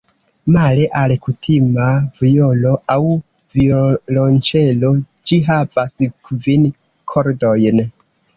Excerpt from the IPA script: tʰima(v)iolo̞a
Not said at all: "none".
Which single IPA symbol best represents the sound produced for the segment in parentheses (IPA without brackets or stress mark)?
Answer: v